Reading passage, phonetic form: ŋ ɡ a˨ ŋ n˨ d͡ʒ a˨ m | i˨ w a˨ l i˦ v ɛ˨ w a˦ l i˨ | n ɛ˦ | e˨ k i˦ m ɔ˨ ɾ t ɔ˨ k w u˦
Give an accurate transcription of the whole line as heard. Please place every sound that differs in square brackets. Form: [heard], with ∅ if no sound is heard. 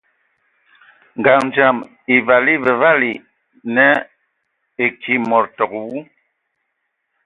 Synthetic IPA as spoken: ŋ ɡ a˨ ŋ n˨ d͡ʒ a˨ m | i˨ [v] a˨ l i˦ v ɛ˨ [v] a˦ l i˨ | n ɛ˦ | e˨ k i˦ m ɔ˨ ɾ t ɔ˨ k w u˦